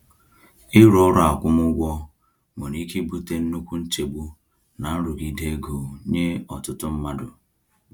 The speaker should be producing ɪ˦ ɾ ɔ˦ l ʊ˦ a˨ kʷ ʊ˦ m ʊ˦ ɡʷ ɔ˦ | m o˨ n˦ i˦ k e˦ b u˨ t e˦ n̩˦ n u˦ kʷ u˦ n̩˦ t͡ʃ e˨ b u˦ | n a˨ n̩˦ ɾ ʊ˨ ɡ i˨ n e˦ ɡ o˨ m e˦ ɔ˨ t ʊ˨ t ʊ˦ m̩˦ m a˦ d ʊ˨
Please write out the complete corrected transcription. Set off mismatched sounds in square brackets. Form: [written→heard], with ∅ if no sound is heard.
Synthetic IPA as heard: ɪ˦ ɾ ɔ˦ [l→ɾ] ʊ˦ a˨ kʷ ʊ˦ m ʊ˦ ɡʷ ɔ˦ | m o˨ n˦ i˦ k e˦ b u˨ t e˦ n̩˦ n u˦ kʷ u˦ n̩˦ t͡ʃ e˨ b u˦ | n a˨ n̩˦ ɾ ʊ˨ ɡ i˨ [n→d] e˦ ɡ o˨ [m→ɲ] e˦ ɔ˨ t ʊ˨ t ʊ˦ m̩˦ m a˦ d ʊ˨